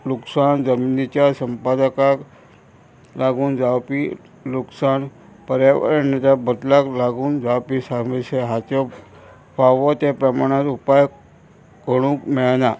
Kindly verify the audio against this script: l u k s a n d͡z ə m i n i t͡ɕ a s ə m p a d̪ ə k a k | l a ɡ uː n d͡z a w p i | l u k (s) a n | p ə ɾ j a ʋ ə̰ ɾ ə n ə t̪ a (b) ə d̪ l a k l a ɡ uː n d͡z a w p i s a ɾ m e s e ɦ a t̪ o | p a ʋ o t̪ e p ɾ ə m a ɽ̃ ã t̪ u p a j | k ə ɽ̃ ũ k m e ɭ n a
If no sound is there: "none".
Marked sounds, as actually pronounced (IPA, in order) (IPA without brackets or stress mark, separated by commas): s, b